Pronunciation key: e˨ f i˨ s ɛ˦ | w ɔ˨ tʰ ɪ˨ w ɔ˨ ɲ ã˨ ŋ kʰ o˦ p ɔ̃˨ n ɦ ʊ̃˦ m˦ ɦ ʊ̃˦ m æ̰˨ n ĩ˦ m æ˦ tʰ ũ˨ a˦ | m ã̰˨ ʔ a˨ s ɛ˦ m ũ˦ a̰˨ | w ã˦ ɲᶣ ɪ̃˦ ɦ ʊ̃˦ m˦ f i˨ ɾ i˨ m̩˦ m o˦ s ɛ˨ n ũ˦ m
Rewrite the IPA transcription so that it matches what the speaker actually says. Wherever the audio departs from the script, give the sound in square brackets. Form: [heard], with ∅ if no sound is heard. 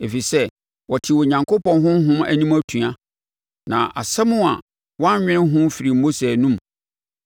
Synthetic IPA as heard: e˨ f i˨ s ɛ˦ | w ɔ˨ tʰ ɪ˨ w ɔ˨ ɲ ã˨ ŋ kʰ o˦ p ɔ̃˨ n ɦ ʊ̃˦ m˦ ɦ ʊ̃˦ m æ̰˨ n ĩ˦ m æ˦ tʰ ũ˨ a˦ | [n] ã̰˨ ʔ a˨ s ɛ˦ m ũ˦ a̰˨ | w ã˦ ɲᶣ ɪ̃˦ ɦ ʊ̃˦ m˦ f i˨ ɾ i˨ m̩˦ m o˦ s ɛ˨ n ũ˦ m